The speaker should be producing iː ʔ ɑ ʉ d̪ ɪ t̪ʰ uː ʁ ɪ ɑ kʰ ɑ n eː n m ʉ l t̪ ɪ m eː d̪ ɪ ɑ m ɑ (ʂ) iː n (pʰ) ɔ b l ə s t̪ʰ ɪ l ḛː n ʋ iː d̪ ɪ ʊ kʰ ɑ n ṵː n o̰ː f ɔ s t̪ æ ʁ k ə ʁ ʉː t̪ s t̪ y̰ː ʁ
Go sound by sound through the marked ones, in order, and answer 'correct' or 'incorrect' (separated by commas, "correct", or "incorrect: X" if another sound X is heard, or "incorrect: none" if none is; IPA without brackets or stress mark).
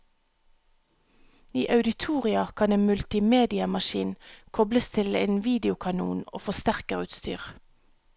incorrect: ʃ, incorrect: kʰ